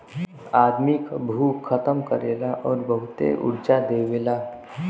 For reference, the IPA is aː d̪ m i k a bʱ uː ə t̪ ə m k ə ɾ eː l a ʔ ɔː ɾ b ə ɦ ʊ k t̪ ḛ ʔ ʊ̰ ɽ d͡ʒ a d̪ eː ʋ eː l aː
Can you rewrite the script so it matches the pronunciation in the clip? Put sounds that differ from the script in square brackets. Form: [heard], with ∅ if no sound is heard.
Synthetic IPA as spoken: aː d̪ m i k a bʱ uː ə t̪ ə m k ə ɾ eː l a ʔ ɔː ɾ b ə ɦ ʊ [∅] t̪ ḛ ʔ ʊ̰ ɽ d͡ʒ a d̪ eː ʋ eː l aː

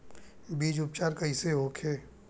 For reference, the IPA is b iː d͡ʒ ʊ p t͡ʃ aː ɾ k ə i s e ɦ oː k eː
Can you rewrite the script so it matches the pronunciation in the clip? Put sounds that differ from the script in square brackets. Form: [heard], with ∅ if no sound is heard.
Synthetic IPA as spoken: b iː d͡ʒ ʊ p t͡ʃ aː ɾ k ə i s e ɦ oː [kʰ] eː

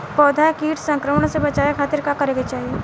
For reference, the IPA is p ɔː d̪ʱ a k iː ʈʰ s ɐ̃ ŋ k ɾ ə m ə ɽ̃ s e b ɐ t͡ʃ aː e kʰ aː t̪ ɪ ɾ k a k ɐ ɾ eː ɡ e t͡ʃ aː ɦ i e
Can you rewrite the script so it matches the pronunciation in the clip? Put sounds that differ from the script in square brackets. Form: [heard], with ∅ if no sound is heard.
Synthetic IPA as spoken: p ɔː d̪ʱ a k iː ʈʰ s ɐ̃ ŋ k ɾ ə m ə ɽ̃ s e b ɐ t͡ʃ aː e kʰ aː t̪ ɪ ɾ k a k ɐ ɾ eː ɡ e t͡ʃ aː ɦ i e

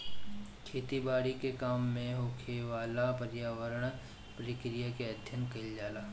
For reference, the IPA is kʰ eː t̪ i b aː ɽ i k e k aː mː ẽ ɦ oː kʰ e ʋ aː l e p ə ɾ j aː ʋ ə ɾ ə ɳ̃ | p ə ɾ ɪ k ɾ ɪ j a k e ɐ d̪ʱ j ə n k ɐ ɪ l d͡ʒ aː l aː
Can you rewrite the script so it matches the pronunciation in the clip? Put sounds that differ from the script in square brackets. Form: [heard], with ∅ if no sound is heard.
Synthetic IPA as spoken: kʰ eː t̪ i b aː ɽ i k e k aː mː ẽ ɦ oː kʰ e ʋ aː l [a] p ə ɾ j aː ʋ ə ɾ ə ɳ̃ | p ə ɾ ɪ k ɾ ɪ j a k e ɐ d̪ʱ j ə n k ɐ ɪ l d͡ʒ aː l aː

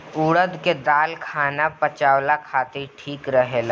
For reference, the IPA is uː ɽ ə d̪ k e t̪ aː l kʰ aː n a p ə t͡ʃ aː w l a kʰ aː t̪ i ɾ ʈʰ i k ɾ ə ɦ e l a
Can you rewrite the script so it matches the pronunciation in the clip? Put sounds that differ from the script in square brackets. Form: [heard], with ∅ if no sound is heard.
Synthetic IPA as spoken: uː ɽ ə d̪ k e [d̪] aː l kʰ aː n a p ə t͡ʃ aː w l a kʰ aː t̪ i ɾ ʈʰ [iː] k ɾ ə ɦ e l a

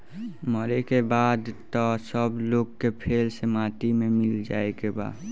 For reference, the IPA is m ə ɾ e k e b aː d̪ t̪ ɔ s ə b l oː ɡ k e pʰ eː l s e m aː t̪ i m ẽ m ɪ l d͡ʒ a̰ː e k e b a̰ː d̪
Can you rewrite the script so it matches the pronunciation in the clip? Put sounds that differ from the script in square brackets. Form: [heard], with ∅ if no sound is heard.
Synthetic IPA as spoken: m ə ɾ e k e b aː d̪ t̪ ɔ s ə b l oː ɡ k e pʰ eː l s e m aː t̪ i m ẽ m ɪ l d͡ʒ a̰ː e k e b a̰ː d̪

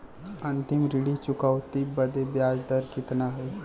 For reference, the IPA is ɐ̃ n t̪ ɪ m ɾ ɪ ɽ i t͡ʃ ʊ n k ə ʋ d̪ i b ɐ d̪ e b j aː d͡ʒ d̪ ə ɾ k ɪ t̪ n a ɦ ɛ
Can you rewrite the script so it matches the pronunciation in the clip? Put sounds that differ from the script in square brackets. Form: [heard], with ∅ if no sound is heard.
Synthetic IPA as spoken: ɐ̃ n t̪ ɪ m ɾ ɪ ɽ i t͡ʃ ʊ [∅] k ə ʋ [t̪] i b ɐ d̪ e b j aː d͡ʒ d̪ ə ɾ k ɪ t̪ n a ɦ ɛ

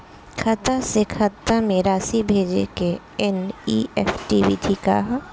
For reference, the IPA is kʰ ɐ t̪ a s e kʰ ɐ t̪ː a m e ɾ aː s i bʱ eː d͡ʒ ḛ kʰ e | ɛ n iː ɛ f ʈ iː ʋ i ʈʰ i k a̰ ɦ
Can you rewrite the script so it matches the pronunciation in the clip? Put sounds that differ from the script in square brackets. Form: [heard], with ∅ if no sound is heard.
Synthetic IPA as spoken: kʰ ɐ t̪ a s e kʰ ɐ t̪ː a m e ɾ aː s i bʱ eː d͡ʒ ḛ [k] e | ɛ n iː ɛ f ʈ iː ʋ i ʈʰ i k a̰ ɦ

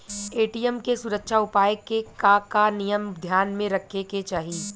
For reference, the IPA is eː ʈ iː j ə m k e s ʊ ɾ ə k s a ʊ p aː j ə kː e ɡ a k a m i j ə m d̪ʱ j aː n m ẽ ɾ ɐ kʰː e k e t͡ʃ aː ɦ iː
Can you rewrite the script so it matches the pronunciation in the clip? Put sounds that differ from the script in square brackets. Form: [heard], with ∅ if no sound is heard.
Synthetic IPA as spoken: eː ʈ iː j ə m k e s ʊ ɾ ə k [ʃ] a ʊ p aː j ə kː e [k] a k a [n] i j ə m d̪ʱ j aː n m ẽ ɾ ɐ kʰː e k e t͡ʃ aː ɦ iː

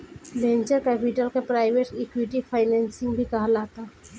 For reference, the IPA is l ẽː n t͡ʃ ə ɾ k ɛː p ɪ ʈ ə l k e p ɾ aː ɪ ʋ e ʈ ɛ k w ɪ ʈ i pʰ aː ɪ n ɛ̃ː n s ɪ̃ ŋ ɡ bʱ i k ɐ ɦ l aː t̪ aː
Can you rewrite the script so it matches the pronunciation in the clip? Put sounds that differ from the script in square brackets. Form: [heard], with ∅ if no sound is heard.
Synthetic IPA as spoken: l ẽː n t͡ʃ ə ɾ k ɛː p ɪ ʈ ə l k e p ɾ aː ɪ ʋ e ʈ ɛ k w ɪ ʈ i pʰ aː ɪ n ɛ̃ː n s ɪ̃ ŋ ɡ bʱ i k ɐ ɦ l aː t̪ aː

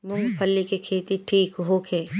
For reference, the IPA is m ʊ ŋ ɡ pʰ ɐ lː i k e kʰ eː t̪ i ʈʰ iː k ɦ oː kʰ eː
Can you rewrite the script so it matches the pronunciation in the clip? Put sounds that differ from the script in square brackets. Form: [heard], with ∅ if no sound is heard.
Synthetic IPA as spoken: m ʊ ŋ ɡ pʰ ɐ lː i k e kʰ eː t̪ i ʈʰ iː k ɦ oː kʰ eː

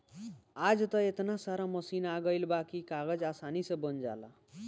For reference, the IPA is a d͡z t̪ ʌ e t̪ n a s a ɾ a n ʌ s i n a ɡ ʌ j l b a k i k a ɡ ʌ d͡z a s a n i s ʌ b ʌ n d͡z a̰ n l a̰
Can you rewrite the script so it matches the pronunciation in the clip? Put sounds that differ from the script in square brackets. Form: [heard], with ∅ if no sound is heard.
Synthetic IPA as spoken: a d͡z t̪ ʌ e t̪ n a s a ɾ a [m] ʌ s i n a ɡ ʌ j l b a k i k a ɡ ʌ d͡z a s a n i s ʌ b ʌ n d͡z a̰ [∅] l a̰

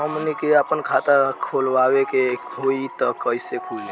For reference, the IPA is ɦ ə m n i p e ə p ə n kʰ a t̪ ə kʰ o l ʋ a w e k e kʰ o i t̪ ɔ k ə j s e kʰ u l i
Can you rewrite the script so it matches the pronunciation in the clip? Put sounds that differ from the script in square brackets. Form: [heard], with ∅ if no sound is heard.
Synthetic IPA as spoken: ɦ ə m n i [k] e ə p ə n kʰ a t̪ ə kʰ o l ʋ a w e k e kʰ o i t̪ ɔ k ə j s e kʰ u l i

